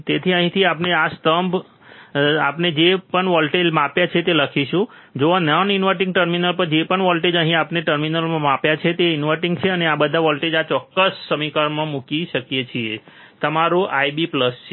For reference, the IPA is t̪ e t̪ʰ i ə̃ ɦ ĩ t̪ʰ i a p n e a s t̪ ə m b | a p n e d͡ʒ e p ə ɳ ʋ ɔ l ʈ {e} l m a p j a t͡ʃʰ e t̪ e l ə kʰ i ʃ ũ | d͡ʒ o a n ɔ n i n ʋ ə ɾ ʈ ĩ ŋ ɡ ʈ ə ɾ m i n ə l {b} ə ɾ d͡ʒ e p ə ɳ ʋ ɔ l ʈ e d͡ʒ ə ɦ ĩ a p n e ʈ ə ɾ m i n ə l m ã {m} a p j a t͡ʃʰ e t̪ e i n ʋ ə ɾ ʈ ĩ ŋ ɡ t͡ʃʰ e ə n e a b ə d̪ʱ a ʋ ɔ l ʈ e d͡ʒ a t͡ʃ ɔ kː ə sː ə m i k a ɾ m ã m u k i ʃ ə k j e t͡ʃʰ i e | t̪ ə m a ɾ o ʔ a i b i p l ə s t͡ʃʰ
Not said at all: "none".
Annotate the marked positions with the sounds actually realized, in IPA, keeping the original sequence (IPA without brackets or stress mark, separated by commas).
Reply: e, p, m